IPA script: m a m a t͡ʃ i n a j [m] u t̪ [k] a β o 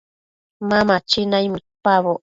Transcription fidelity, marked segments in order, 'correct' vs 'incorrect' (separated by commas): correct, incorrect